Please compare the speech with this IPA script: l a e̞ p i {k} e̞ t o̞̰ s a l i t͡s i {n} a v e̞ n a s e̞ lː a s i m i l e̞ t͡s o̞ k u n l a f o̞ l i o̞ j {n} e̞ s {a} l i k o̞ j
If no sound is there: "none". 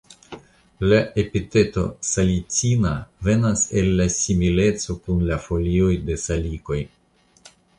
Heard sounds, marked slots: t, n, d, a

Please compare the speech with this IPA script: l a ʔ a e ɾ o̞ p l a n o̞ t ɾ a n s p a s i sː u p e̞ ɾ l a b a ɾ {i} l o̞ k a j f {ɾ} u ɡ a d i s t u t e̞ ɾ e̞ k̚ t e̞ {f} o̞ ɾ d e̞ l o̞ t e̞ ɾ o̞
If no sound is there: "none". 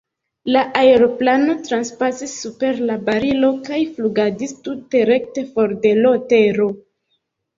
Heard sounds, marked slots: i, l, f

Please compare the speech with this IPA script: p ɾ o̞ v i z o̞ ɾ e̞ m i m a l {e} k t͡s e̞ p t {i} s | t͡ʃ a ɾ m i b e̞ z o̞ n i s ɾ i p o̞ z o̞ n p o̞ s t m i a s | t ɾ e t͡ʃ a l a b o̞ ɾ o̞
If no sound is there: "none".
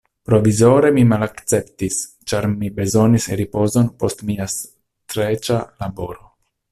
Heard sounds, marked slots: a, i

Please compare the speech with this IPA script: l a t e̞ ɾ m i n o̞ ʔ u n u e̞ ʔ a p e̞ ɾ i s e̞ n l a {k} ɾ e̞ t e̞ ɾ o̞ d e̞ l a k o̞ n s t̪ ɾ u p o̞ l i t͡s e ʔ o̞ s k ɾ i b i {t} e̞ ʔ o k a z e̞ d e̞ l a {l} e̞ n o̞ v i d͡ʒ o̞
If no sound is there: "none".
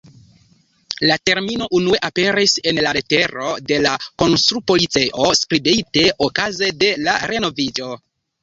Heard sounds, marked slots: none, t, ɾ

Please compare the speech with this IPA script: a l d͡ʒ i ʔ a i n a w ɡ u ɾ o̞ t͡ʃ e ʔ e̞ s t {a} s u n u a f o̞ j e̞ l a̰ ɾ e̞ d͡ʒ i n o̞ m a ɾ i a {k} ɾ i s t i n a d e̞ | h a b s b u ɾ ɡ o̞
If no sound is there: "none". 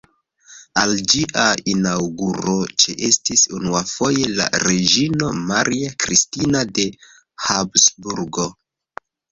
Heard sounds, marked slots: i, k

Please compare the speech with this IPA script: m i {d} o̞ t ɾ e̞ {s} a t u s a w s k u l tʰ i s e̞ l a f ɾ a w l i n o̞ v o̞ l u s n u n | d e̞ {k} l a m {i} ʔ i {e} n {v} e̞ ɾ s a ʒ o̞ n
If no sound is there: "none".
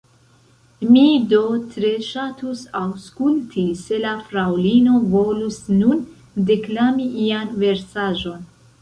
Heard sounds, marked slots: d, ʃ, k, i, a, v

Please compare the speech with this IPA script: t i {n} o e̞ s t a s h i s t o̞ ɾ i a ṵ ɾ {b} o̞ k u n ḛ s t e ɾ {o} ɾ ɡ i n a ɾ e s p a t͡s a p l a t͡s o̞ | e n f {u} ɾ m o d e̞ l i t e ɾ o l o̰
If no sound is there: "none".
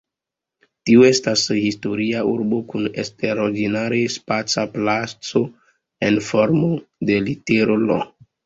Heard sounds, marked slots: none, b, o, o

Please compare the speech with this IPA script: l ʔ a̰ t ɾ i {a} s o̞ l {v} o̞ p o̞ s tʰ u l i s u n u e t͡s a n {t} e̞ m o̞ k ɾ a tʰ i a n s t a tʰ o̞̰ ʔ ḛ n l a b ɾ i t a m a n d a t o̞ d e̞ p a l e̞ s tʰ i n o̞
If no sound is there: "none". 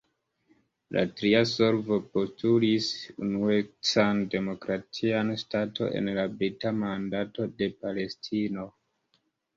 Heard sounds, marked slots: a, v, d

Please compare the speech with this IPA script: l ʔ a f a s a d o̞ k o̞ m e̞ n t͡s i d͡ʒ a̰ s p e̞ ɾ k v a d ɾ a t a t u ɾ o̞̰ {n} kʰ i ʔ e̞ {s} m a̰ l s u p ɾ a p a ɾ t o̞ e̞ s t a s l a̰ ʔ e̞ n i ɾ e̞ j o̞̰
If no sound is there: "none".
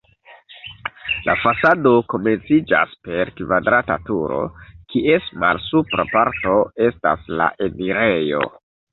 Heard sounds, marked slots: none, s

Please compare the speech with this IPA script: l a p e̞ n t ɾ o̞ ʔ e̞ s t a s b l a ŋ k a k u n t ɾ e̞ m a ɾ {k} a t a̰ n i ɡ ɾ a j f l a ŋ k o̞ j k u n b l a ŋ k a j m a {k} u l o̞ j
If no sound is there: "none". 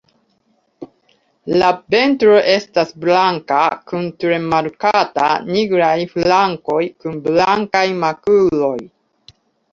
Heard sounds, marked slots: k, k

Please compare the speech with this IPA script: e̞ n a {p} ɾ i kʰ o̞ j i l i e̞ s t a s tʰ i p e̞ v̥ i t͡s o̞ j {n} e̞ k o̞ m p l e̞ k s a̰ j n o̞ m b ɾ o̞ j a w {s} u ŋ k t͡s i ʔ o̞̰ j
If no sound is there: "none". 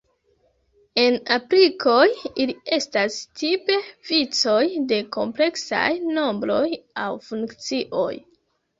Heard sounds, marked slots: p, d, f

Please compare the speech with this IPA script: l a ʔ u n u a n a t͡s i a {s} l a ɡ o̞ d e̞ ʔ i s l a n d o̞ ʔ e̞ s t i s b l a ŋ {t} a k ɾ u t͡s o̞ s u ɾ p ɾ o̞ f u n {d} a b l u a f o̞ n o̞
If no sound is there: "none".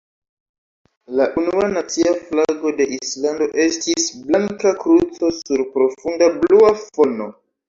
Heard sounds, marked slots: f, k, d

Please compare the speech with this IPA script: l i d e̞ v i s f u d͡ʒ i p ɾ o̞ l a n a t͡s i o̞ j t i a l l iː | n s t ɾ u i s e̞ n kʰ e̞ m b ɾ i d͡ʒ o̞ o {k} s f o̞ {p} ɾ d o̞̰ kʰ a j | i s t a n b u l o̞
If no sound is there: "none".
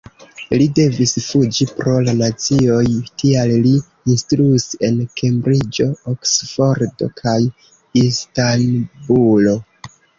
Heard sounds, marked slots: k, none

